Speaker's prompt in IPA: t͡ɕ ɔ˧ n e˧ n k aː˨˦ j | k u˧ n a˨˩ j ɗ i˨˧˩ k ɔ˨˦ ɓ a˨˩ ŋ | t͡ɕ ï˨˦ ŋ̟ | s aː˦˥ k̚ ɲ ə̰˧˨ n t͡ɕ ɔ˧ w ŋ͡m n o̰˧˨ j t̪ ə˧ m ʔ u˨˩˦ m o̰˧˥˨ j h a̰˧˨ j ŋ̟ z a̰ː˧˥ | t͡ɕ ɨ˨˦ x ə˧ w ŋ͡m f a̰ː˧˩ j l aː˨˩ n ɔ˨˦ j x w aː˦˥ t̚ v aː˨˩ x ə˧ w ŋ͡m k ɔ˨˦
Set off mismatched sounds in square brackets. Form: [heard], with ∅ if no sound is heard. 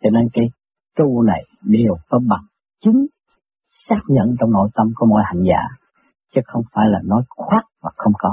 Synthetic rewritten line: t͡ɕ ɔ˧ n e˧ n k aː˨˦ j | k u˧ n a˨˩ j ɗ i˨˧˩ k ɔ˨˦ ɓ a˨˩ ŋ | t͡ɕ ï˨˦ ŋ̟ | s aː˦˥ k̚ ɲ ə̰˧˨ n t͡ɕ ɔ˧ w ŋ͡m n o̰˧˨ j t̪ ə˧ m [k] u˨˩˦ m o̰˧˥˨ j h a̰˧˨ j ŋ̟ z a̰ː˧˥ | t͡ɕ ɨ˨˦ x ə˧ w ŋ͡m f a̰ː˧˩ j l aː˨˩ n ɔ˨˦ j x w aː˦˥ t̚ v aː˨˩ x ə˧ w ŋ͡m k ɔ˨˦